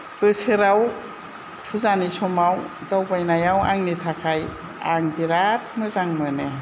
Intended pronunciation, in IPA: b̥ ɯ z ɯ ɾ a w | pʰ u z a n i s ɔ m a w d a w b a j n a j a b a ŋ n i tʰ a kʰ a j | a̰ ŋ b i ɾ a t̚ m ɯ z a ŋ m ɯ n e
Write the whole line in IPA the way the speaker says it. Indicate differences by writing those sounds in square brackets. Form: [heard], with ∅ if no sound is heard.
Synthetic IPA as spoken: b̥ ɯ [s] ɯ ɾ a w | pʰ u z a n i s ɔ m a w d a w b a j n a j a [w] a ŋ n i tʰ a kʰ a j | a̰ ŋ b i ɾ a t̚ m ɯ z a ŋ m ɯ n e